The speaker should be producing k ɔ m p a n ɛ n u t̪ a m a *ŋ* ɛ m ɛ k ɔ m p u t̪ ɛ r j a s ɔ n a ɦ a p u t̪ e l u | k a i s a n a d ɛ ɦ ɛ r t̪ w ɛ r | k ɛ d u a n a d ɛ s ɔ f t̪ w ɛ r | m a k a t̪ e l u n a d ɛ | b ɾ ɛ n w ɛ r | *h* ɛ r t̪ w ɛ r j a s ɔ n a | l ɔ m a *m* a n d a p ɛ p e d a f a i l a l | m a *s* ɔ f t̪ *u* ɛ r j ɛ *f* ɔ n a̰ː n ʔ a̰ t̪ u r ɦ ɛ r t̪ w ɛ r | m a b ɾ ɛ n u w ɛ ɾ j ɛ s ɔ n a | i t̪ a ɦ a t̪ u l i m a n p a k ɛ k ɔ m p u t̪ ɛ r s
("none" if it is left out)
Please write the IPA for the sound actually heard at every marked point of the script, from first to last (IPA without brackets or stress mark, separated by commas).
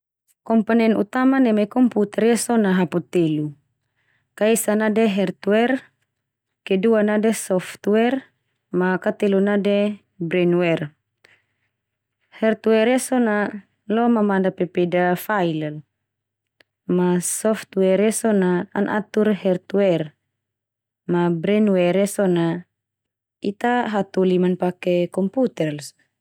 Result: n, h, m, s, w, s